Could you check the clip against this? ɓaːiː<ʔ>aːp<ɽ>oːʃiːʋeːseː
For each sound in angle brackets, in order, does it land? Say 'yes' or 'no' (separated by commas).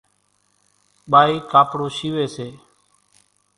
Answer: no, yes